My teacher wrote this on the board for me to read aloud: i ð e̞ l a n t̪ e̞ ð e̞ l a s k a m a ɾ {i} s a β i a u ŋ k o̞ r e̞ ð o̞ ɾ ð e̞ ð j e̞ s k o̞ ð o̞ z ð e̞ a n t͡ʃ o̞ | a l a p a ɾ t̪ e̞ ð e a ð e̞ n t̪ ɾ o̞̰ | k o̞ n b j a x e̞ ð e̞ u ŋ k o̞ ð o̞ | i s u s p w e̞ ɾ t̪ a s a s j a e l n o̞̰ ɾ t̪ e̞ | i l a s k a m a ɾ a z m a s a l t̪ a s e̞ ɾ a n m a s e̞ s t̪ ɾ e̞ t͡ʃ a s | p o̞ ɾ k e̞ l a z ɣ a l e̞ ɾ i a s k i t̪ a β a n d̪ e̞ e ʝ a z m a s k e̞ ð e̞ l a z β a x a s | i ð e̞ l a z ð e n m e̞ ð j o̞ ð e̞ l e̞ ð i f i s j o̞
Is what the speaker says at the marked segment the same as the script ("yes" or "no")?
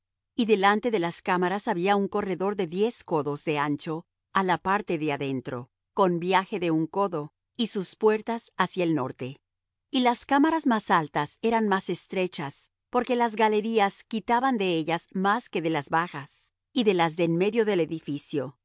no